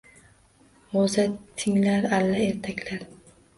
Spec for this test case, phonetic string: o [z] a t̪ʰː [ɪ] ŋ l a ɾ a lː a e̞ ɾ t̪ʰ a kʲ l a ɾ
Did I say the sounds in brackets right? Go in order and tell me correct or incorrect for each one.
correct, correct

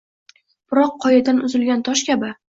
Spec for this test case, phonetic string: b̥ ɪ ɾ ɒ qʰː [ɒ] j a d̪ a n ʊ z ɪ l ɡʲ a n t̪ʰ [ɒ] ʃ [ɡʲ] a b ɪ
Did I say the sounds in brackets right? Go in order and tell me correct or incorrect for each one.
correct, correct, incorrect: kʲ

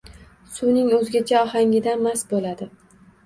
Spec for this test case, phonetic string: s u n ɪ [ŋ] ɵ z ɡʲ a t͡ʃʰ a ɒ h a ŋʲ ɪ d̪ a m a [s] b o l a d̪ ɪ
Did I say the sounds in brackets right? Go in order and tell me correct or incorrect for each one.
correct, correct

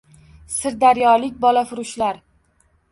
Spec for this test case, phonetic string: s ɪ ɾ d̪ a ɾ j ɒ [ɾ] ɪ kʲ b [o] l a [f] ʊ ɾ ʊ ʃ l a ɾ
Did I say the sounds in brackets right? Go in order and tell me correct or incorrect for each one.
incorrect: l, incorrect: ɒ, correct

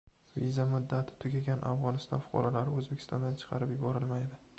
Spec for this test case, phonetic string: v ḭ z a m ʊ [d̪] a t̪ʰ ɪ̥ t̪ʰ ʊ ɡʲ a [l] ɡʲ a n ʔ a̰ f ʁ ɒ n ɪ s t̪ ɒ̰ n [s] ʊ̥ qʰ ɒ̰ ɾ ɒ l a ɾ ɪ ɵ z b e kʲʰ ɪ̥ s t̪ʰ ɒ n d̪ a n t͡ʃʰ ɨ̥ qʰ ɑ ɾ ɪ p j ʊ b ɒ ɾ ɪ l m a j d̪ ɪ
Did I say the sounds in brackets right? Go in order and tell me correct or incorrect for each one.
incorrect: d̪ː, incorrect: none, incorrect: f

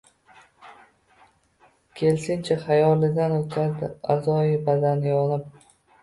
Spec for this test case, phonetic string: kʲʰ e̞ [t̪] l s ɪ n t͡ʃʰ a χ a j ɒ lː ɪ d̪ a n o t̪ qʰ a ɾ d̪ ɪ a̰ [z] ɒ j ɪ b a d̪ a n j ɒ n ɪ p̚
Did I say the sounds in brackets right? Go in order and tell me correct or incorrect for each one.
incorrect: none, correct

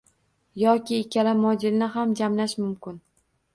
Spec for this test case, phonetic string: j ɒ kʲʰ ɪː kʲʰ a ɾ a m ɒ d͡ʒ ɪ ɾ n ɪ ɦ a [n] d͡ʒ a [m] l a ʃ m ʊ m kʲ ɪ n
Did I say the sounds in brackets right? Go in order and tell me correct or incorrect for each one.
incorrect: m, correct

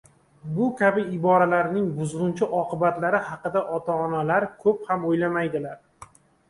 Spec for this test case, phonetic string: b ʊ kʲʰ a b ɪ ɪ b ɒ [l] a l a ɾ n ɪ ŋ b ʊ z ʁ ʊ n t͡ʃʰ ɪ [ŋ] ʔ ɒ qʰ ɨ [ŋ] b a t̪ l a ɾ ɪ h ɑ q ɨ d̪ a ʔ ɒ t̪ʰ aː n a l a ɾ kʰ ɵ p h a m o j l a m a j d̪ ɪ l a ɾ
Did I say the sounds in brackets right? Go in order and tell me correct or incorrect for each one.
incorrect: ɾ, incorrect: none, incorrect: none

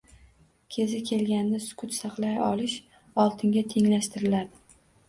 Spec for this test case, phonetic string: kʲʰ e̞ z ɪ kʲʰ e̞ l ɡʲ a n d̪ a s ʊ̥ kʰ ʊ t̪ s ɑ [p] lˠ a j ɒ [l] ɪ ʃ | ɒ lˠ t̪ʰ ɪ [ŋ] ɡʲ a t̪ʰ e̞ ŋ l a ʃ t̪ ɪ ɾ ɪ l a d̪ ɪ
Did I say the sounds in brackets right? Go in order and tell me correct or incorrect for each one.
incorrect: q, correct, correct

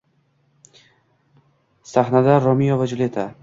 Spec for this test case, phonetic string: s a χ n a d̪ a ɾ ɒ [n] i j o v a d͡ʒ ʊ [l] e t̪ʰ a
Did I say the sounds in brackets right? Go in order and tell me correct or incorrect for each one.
incorrect: m, correct

